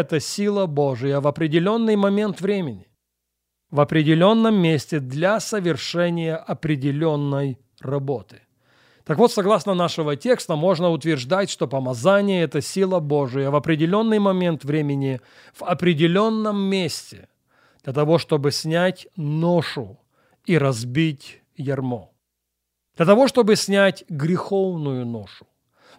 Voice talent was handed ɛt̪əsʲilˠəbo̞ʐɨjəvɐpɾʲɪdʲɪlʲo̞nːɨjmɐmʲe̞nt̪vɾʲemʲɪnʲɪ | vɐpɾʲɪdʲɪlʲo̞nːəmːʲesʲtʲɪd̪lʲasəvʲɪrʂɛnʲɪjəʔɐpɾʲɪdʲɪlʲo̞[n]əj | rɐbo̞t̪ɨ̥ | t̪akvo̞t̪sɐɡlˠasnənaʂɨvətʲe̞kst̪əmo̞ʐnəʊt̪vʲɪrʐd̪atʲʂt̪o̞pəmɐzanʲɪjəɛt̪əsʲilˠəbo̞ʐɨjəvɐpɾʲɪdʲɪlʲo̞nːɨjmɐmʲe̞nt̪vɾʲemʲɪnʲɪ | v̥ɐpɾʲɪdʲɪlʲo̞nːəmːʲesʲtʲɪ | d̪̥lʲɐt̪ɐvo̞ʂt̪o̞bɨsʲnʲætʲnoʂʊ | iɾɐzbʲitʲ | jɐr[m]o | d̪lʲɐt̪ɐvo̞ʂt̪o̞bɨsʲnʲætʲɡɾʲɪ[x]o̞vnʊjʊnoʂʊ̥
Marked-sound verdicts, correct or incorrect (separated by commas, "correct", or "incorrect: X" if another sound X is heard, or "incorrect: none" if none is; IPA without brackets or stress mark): incorrect: nː, correct, correct